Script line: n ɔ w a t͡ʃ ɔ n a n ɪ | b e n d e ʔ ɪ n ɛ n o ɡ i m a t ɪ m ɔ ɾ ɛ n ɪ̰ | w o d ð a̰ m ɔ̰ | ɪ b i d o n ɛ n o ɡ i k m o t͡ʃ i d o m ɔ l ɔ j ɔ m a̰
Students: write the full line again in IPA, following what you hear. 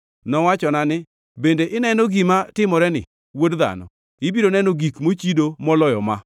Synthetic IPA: n ɔ w a t͡ʃ ɔ n a n ɪ | b e n d e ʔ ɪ n ɛ n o ɡ i m a t ɪ m ɔ ɾ ɛ n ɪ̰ | w o d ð a̰ n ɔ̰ | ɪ b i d o n ɛ n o ɡ i k m o t͡ʃ i d o m ɔ l ɔ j ɔ m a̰

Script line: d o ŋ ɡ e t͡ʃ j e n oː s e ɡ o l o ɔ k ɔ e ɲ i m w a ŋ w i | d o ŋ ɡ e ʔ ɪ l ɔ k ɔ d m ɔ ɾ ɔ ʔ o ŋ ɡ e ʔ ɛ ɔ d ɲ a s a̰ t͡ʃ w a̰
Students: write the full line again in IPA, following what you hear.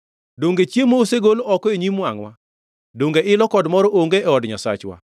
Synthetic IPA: d o ŋ ɡ e t͡ʃ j e m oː s e ɡ o l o ɔ k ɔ e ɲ i m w a ŋ w a | d o ŋ ɡ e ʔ ɪ l ɔ k ɔ d m ɔ ɾ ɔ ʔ o ŋ ɡ e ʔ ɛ ɔ d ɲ a s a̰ t͡ʃ w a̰

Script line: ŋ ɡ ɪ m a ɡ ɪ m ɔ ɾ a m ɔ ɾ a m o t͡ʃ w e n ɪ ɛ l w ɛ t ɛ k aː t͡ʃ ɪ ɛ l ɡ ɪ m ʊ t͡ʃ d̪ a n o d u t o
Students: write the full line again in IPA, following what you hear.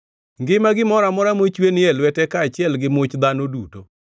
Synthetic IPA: ŋ ɡ ɪ m a ɡ ɪ m ɔ ɾ a m ɔ ɾ a m o t͡ʃ w e n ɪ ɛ l w ɛ t ɛ k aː t͡ʃ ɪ ɛ l ɡ ɪ m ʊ t͡ʃ d̪ a n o d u t o

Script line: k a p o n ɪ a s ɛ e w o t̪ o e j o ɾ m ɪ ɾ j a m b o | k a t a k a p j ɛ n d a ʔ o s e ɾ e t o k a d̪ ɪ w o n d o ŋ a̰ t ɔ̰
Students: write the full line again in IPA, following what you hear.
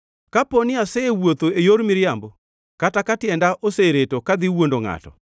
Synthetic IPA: k a p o n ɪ a s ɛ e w o t̪ o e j o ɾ m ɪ ɾ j a m b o | k a t a k a t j ɛ n d a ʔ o s e ɾ e t o k a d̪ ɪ w o n d o ŋ a̰ t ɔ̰

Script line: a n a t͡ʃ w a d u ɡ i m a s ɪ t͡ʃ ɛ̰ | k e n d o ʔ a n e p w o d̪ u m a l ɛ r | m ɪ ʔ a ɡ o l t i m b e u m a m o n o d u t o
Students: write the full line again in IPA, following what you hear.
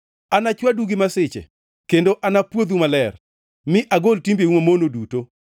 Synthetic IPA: a n a t͡ʃ w a d u ɡ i m a s ɪ t͡ʃ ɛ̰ | k e n d o ʔ a n a p w o d̪ u m a l ɛ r | m ɪ ʔ a ɡ o l t i m b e u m a m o n o d u t o

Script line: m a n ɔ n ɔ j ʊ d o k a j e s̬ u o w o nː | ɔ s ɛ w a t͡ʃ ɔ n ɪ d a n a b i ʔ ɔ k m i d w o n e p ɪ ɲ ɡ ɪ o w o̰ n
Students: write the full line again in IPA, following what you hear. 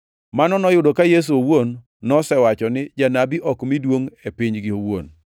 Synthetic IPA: m a n ɔ n ɔ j ʊ d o k a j e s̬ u o w o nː | ɔ s ɛ w a t͡ʃ ɔ n ɪ d͡ʒ a n a b i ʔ ɔ k m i d w o ŋ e p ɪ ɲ ɡ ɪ o w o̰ n

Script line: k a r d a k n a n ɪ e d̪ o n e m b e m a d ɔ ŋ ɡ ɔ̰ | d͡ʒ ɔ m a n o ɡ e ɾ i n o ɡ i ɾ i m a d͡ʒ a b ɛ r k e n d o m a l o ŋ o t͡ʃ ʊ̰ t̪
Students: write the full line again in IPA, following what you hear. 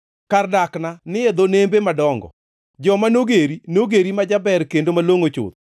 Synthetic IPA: k a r d a k n a n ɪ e d̪ o n e m b e m a d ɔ ŋ ɡ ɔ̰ | d͡ʒ ɔ m a n o ɡ e ɾ i n o ɡ e ɾ i m a d͡ʒ a b ɛ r k e n d o m a l o ŋ o t͡ʃ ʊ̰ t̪

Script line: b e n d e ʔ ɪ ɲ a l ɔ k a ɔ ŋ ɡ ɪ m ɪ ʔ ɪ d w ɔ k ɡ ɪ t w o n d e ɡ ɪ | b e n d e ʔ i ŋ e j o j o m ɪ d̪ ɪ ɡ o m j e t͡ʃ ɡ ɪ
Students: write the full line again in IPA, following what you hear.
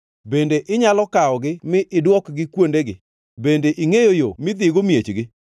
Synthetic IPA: b e n d e ʔ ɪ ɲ a l ɔ k a ɔ ɡ ɪ m ɪ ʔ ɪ d w ɔ k ɡ ɪ k w o n d e ɡ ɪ | b e n d e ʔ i ŋ e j o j o m ɪ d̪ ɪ ɡ o m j e t͡ʃ ɡ ɪ

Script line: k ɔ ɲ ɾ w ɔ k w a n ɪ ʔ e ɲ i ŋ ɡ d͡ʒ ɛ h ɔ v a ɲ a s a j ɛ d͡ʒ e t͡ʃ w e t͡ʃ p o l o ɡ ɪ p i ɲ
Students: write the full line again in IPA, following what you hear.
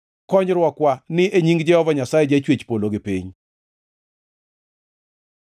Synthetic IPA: k ɔ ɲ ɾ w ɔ k w a n ɪ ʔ e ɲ i ŋ ɡ d͡ʒ ɛ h ɔ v a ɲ a s a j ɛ d͡ʒ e t͡ʃ w e t͡ʃ p o l o ɡ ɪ p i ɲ

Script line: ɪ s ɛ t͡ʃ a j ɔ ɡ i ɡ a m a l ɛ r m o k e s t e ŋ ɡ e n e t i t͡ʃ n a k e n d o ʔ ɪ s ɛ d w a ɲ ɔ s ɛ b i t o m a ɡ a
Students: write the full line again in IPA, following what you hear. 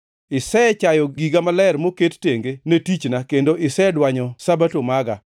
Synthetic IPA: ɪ s ɛ t͡ʃ a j ɔ ɡ i ɡ a m a l ɛ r m o k e t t e ŋ ɡ e n e t i t͡ʃ n a k e n d o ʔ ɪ s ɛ d w a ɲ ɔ s a b a t o m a ɡ a

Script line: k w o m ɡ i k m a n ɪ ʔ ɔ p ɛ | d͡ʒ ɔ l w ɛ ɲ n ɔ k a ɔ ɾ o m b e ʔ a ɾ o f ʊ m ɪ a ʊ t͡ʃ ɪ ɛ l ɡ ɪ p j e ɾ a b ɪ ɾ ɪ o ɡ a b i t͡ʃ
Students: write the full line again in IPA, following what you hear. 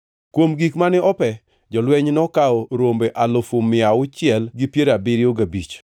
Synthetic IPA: k w o m ɡ i k m a n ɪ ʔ ɔ p ɛ | d͡ʒ ɔ l w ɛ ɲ n ɔ k a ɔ ɾ o m b e ʔ a l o f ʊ m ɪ a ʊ t͡ʃ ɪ ɛ l ɡ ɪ p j e ɾ a b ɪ ɾ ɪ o ɡ a b i t͡ʃ

